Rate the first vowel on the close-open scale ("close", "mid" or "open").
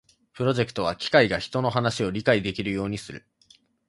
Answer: close